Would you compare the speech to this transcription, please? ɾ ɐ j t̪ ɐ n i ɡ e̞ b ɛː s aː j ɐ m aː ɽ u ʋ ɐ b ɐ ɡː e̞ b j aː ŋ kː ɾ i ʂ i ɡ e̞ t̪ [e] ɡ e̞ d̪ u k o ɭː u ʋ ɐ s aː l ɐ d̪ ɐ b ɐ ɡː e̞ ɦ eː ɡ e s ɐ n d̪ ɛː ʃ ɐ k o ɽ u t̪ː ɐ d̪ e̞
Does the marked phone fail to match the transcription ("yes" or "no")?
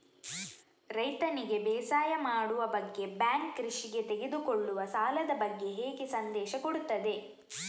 no